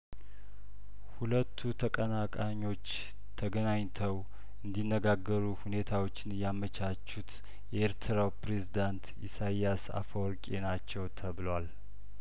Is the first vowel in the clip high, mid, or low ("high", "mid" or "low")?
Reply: high